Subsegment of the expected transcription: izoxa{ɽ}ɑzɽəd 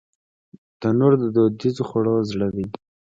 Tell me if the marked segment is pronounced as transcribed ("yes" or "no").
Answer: yes